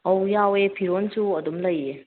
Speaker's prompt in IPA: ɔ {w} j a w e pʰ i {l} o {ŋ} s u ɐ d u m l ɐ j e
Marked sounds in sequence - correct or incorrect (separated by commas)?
correct, incorrect, incorrect